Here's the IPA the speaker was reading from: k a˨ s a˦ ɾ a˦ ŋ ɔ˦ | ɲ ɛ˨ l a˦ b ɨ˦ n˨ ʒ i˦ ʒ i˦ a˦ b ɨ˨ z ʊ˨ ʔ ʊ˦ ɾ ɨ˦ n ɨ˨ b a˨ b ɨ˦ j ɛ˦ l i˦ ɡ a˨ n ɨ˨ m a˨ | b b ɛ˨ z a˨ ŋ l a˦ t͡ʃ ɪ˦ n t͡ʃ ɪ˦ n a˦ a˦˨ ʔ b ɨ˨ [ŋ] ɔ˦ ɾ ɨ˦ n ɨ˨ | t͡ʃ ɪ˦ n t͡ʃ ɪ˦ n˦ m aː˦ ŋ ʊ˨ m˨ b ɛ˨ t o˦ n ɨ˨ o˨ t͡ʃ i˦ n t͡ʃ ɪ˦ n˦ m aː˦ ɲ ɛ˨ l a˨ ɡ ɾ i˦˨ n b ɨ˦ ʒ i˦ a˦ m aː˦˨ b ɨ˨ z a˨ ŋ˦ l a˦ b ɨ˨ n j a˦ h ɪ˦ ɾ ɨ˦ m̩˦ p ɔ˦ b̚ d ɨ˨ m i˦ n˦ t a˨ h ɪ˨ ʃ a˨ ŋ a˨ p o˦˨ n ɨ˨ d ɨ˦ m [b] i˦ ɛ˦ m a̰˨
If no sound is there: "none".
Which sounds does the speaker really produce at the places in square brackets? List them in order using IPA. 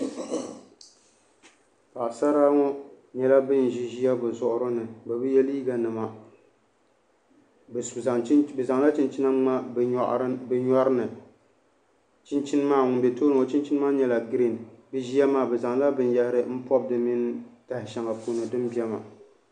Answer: ɲ, b

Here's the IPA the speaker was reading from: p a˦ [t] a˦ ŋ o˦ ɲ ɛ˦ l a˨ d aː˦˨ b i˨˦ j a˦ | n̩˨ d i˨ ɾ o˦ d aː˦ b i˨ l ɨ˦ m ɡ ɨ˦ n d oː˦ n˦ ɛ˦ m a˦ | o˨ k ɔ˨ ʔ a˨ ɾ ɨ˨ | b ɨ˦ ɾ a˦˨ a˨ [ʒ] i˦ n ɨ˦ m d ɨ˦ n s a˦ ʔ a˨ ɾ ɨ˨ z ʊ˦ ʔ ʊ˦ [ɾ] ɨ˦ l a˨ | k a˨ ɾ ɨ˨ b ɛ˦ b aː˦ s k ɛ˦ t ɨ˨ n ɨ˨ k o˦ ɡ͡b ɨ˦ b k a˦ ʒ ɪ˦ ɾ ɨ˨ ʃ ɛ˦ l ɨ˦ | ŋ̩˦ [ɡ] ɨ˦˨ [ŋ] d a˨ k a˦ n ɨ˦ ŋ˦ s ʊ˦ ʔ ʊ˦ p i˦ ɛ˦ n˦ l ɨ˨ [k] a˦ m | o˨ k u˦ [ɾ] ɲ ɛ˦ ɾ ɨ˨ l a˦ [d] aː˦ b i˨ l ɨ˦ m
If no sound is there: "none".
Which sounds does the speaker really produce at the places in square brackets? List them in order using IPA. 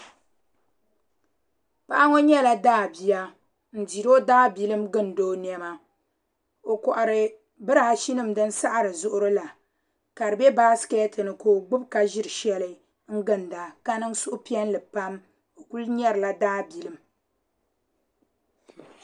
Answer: ʔ, ʃ, ɾ, ɡ, n, p, l, d

